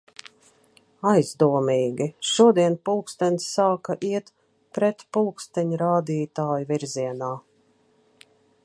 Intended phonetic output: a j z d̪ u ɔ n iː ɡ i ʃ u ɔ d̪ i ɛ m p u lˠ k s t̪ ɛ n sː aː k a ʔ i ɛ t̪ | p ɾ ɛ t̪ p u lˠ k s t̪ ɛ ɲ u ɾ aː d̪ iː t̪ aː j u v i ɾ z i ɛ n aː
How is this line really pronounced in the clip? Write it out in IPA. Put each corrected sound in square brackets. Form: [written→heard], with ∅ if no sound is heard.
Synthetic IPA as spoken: a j z d̪ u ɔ [n→m] iː ɡ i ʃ u ɔ d̪ i ɛ [m→n] p u lˠ k s t̪ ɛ n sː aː k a ʔ i ɛ t̪ | p ɾ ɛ t̪ p u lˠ k s t̪ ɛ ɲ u ɾ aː d̪ iː t̪ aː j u v i ɾ z i ɛ n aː